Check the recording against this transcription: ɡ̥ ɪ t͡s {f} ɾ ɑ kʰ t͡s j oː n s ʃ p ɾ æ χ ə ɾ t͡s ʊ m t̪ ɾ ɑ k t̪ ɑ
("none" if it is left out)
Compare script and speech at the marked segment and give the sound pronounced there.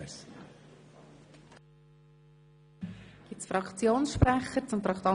f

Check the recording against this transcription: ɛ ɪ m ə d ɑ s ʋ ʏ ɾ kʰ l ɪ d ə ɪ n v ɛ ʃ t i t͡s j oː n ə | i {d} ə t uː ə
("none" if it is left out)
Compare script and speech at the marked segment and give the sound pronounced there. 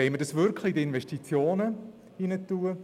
n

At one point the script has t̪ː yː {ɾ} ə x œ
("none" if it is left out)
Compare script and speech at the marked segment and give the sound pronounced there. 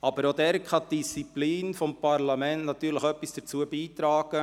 l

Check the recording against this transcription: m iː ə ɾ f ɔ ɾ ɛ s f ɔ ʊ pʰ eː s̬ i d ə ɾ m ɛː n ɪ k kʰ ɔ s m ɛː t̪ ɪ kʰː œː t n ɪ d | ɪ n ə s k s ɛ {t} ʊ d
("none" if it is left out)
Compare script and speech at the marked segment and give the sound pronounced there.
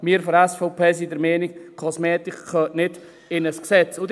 t͡s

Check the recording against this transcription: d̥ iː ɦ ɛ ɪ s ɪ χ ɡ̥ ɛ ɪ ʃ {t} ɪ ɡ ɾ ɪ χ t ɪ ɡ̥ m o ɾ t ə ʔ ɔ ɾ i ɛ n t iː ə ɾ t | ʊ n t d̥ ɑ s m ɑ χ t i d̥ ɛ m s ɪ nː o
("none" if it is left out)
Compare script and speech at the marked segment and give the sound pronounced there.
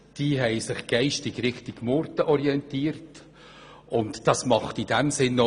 t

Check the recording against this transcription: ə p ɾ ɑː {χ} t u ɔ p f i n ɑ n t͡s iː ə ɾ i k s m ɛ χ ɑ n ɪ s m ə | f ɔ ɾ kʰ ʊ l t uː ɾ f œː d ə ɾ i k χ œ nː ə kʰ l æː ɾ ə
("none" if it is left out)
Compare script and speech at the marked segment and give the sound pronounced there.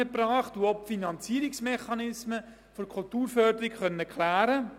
χ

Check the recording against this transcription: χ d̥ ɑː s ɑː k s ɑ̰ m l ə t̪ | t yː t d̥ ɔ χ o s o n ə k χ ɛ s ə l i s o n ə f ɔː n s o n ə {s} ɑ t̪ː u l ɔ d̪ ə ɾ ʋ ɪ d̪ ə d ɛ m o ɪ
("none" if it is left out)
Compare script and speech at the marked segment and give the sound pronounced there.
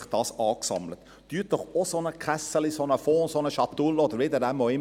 ʃ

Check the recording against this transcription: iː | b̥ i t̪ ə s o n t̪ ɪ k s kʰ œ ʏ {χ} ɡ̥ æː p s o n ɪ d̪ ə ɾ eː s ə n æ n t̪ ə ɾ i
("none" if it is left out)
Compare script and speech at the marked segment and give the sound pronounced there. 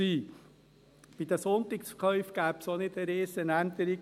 f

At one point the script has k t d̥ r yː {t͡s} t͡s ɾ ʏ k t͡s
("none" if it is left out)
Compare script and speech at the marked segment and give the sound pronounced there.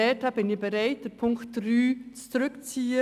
t͡s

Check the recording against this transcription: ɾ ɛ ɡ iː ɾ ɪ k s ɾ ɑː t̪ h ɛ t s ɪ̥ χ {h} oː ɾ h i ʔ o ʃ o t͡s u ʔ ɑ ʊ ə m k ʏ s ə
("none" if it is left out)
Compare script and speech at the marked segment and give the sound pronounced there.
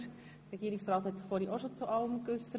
f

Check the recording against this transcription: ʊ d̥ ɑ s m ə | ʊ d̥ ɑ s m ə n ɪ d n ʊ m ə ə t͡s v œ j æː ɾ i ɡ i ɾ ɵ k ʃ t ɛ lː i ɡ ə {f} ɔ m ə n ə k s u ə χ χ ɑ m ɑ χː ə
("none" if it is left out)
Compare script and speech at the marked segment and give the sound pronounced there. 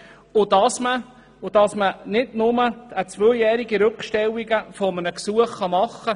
f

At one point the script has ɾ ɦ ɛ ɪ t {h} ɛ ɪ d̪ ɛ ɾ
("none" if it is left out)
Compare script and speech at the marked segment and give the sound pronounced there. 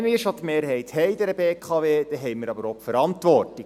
h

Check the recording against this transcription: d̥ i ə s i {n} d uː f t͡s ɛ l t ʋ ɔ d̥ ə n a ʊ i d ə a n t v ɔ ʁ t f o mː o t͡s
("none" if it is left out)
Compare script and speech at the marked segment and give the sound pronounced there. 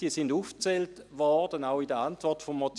n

